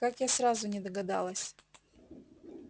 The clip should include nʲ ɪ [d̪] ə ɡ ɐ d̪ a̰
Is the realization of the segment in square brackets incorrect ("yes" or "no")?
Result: no